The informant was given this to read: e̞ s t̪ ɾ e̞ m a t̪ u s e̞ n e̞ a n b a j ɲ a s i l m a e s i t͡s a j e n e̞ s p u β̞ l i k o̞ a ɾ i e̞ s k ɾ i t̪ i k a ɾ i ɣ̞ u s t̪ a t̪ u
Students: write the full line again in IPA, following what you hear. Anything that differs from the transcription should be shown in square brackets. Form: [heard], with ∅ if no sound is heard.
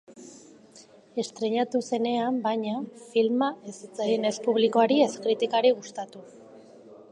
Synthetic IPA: e̞ s t̪ ɾ e̞ [ɲ] a t̪ u s e̞ n e̞ a [m] b a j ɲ a [f] i l m a e s i t͡s a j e n e̞ s p u β̞ l i k o̞ a ɾ i e̞ s k ɾ i t̪ i k a ɾ i ɣ̞ u s t̪ a t̪ u